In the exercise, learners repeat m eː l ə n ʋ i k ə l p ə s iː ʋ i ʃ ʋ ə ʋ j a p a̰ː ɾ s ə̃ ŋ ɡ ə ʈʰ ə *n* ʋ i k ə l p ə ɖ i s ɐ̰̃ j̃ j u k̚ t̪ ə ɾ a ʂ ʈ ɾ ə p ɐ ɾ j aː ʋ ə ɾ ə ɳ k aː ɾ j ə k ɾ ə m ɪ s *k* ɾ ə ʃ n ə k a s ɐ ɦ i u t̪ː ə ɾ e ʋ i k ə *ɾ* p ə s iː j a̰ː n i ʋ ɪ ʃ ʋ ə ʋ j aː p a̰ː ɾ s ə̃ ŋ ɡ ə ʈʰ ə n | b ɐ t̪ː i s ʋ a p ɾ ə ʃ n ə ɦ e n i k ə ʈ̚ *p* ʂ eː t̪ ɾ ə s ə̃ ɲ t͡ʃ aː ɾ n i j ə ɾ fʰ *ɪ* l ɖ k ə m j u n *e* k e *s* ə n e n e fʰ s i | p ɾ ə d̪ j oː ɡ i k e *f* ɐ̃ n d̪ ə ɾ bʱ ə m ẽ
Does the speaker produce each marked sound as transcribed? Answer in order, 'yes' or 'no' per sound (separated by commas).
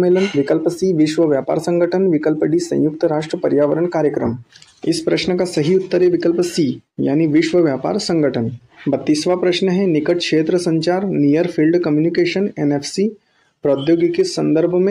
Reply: yes, no, no, no, no, no, no, no